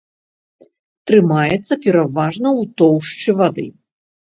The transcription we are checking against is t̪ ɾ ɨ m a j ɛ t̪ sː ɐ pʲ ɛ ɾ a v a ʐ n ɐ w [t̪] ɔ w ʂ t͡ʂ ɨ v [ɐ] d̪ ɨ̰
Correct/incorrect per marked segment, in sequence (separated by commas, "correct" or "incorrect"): correct, incorrect